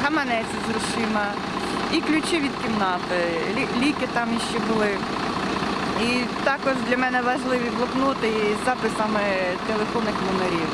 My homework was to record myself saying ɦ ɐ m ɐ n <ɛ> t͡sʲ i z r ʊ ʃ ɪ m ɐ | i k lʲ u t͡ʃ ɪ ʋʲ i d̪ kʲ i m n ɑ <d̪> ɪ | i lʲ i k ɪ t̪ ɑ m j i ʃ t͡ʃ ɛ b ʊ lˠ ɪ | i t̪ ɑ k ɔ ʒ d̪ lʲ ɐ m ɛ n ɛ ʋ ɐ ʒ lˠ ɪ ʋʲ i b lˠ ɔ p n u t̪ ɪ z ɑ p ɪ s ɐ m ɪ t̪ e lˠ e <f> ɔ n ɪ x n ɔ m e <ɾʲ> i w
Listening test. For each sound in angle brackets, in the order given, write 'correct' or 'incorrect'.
correct, incorrect, correct, correct

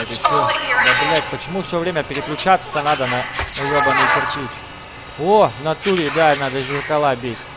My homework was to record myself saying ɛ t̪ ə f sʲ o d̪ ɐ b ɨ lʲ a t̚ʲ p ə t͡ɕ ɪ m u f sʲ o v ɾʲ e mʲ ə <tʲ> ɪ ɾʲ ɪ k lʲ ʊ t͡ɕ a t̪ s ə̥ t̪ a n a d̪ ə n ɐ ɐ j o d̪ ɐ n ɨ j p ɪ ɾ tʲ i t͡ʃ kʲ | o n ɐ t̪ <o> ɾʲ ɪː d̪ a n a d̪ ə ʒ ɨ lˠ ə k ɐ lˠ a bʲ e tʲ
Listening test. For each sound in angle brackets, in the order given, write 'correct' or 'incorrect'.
incorrect, incorrect

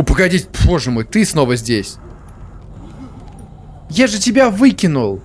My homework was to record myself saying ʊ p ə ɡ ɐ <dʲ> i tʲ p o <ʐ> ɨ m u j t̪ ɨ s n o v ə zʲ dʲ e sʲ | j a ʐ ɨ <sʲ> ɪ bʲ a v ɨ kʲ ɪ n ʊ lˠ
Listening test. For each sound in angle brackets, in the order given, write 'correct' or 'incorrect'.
correct, correct, incorrect

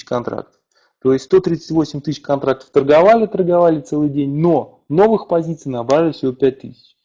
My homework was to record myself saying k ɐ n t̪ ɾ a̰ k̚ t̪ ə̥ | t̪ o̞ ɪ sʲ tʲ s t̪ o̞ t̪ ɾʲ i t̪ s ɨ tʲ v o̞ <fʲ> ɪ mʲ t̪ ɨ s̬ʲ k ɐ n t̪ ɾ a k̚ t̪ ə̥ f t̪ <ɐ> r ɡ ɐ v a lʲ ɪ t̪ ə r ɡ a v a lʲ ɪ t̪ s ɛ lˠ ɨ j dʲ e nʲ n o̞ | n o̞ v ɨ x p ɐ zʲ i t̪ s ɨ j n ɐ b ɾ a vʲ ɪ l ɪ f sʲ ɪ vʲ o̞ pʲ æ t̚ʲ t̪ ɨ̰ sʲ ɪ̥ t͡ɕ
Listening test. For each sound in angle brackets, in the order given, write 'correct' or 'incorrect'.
incorrect, incorrect

